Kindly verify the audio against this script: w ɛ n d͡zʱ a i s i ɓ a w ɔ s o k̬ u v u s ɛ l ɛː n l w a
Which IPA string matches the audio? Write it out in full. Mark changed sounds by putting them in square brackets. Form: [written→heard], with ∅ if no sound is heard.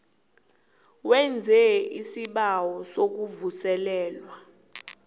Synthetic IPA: w ɛ n d͡zʱ [a→ɛ] i s i ɓ a w ɔ s o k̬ u v u s ɛ l ɛː [n→∅] l w a